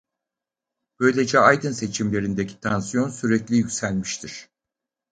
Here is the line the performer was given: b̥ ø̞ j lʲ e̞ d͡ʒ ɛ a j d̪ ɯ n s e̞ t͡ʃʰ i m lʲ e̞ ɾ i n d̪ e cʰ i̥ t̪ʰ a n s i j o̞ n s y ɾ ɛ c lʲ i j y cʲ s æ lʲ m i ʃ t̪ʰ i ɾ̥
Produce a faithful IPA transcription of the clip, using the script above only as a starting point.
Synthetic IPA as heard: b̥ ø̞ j lʲ e̞ d͡ʒ ɛ a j d̪ ɯ n s e̞ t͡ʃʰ i m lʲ e̞ ɾ i n d̪ e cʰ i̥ t̪ʰ a n s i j o̞ n s y ɾ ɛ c lʲ i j y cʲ s æ lʲ m i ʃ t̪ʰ i ɾ̥